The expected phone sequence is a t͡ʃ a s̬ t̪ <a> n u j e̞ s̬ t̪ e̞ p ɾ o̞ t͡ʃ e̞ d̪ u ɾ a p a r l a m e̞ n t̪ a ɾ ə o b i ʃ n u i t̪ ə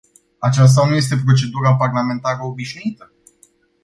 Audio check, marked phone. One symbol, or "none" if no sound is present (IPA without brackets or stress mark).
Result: a